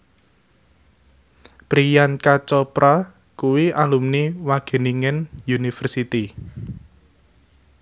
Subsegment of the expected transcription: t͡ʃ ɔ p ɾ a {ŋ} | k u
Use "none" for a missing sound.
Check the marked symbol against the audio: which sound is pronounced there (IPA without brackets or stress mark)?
none